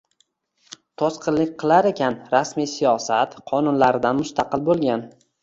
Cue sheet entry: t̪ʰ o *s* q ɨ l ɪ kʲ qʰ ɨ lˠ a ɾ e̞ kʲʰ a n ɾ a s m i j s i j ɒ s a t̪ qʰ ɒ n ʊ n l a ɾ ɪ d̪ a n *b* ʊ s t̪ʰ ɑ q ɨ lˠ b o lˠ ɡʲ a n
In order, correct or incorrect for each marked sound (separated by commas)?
correct, incorrect